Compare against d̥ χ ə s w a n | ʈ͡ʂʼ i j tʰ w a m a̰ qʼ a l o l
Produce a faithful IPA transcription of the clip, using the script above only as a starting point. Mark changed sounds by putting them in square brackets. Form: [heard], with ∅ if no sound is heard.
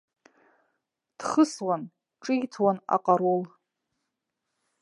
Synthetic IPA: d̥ χ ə s w a n | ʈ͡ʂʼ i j tʰ w a [n] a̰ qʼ a [ɾ] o l